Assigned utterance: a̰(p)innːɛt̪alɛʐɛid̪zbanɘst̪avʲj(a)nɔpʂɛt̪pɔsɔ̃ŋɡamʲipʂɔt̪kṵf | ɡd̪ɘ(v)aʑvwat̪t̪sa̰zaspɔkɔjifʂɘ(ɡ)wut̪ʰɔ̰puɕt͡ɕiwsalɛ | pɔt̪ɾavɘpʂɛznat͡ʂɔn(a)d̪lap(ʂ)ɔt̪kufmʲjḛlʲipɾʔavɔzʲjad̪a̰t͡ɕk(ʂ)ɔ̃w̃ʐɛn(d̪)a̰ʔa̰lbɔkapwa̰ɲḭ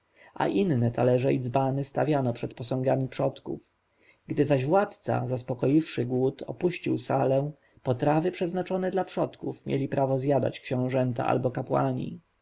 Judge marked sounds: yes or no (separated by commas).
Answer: no, yes, no, yes, no, yes, no, no